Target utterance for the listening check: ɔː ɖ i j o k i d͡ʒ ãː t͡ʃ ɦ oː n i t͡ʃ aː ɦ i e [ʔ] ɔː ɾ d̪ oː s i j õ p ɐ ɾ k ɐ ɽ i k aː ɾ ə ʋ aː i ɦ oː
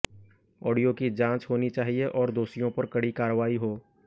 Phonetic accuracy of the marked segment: correct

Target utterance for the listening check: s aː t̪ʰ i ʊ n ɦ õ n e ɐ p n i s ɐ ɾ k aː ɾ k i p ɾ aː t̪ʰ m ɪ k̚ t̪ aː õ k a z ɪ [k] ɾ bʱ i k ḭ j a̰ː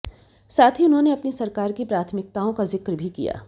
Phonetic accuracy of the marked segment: correct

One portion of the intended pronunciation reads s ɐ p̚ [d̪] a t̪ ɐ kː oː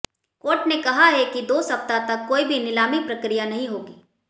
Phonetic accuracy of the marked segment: incorrect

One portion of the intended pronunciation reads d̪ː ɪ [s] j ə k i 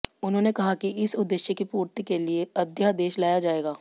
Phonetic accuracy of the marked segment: incorrect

